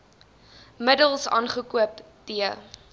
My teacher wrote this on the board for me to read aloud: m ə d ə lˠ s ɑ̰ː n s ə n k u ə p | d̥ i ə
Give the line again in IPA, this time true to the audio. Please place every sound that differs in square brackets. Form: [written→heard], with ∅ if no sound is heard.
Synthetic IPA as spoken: m ə d ə lˠ s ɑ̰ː n [s→χ] ə [n→∅] k u ə p | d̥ i ə